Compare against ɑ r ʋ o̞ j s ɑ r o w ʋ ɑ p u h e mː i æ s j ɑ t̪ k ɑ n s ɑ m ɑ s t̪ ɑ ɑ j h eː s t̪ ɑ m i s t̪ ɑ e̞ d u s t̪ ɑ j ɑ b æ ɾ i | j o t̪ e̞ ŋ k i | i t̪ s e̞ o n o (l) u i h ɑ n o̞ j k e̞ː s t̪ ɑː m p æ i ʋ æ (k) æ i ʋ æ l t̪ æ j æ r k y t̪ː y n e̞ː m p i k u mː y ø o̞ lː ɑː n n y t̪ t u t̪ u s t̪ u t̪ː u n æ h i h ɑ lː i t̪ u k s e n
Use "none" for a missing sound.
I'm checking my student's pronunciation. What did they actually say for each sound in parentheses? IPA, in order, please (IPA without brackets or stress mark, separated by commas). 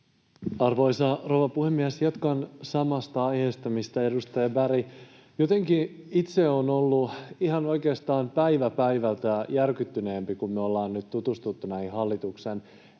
lː, p